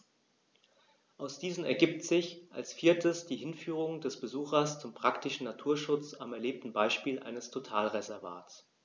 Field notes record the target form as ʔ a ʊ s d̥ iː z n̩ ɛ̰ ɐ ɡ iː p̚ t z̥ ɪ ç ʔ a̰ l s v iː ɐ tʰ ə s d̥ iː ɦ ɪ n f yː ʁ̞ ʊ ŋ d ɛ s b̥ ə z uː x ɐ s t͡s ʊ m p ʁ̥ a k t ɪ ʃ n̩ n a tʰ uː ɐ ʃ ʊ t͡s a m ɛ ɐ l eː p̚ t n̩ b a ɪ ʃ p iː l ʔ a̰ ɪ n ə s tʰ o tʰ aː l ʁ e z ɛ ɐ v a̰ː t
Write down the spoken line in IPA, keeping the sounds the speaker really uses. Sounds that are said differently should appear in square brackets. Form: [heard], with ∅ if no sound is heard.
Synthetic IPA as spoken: ʔ a ʊ s d̥ iː z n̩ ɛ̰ ɐ ɡ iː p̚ t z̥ ɪ ç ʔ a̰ l s [f] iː ɐ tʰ ə s d̥ iː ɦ ɪ n f yː ʁ̞ ʊ ŋ d ɛ s b̥ ə z uː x ɐ s t͡s ʊ m p ʁ̥ a k t ɪ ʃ n̩ n a tʰ uː ɐ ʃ ʊ t͡s a m ɛ ɐ l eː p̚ t n̩ b a ɪ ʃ p iː l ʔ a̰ ɪ n ə s tʰ o tʰ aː l ʁ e z ɛ ɐ v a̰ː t